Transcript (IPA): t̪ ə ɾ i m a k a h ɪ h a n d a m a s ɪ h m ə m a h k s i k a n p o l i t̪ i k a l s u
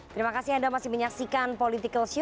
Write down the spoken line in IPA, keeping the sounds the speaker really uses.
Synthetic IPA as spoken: t̪ ə ɾ i m a k a s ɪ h a n d a m a s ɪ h m ə ɲ a k s i k a n p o l i t̪ i k ə l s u